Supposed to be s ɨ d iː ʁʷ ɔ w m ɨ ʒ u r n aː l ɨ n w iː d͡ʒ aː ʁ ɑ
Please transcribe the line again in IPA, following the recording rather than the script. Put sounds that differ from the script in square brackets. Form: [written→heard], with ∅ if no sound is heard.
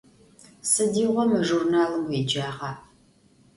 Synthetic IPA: s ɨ d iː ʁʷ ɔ [w→∅] m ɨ ʒ u r n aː l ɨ [n→m] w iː d͡ʒ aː ʁ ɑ